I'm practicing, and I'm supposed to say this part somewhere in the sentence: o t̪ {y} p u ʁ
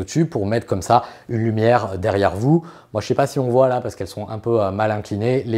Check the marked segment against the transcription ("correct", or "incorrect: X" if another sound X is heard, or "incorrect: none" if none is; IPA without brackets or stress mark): correct